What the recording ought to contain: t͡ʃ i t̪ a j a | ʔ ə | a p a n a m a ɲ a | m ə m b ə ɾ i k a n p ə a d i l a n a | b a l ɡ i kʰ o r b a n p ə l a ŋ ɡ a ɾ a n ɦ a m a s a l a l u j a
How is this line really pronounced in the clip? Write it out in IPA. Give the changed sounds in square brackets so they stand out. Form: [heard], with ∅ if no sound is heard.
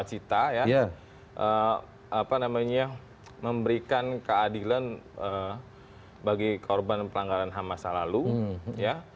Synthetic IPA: t͡ʃ i t̪ a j a | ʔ ə | a p a n a m a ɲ a | m ə m b ə ɾ i k a n [k] ə a d i l a n [ə] | b a [∅] ɡ i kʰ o r b a n p ə l a ŋ ɡ a ɾ a n ɦ a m a s a l a l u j a